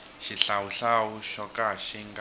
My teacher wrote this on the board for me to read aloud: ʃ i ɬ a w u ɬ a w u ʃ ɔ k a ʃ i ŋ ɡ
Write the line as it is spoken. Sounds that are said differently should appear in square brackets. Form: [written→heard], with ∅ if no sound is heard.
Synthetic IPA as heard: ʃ i ɬ a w u ɬ a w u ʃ ɔ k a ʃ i ŋ ɡ